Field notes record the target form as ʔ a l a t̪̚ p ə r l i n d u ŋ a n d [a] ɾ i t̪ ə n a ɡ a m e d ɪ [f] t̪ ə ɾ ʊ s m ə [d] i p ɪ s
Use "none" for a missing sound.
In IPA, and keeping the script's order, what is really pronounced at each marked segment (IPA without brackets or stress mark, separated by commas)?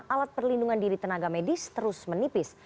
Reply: i, s, n